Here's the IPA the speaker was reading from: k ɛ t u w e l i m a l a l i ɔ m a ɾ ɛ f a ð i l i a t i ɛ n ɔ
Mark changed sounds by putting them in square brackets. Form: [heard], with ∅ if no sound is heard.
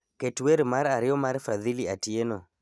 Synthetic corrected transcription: k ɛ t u w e [ɾ] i m a [ɾ] a [ɾ] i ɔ m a ɾ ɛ f a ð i l i a t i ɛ n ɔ